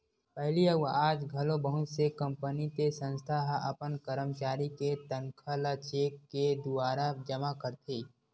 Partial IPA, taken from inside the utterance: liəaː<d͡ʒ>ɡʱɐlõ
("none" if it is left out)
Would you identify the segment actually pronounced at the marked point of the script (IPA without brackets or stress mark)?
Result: d͡ʒ